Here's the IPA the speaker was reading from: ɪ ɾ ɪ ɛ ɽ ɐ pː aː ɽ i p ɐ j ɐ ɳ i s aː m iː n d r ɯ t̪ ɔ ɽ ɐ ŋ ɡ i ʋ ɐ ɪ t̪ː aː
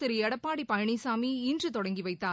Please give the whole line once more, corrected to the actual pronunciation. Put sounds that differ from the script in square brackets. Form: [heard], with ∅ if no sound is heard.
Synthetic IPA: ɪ ɾ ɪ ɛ ɽ ɐ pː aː ɽ i p ɐ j ɐ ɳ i s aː m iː n d r ɯ t̪ ɔ ɽ ɐ ŋ ɡ i ʋ ɐ ɪ t̪ː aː